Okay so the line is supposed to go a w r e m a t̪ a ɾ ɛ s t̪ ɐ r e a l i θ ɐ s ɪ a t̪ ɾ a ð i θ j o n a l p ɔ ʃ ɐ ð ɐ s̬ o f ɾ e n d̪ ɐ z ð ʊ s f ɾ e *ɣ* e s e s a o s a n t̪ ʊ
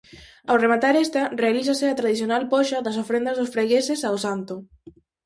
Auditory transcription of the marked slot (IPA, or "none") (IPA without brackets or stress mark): ɣ